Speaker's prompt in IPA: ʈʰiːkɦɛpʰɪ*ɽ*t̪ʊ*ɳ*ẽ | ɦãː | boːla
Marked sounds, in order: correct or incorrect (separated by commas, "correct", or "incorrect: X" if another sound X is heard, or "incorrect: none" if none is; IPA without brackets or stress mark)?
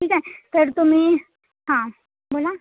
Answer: incorrect: ɾ, incorrect: m